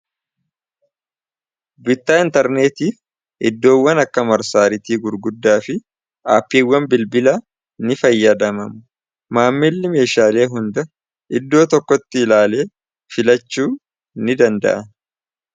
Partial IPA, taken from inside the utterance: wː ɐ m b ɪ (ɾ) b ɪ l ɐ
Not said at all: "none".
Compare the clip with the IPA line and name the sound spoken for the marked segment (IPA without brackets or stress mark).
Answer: l